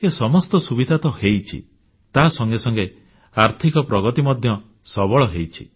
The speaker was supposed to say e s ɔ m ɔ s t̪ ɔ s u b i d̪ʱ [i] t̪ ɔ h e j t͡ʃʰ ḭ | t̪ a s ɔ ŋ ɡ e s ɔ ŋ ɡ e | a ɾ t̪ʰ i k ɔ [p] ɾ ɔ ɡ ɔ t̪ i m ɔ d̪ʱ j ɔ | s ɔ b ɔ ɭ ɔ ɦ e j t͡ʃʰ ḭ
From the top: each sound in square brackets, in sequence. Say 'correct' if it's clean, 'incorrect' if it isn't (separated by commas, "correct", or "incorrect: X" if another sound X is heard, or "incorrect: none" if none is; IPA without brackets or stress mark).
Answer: incorrect: a, correct